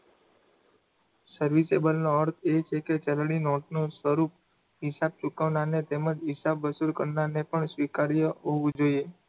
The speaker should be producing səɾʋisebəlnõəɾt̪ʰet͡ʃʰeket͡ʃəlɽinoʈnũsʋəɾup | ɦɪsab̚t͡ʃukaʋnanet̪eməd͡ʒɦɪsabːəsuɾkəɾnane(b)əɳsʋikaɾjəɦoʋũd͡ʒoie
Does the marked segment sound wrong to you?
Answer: yes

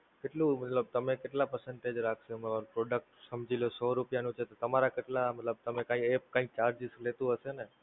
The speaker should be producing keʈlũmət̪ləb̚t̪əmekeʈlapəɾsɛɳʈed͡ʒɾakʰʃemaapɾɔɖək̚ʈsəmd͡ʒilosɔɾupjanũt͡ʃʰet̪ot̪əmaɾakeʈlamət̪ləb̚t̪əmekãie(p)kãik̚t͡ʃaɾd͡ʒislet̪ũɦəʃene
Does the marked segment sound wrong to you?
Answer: no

